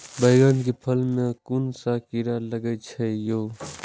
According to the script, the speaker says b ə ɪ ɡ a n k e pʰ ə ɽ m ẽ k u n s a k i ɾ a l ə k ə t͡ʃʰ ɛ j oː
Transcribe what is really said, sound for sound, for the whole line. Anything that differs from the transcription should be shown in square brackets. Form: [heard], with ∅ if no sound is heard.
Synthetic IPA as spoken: b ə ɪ ɡ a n k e pʰ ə [l] m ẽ k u n s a k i ɾ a l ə [ɡ] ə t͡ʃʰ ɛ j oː